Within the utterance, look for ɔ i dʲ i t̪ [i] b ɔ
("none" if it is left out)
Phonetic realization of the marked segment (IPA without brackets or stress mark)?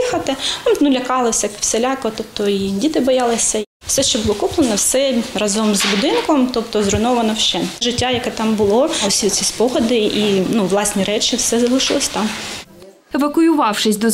ɪ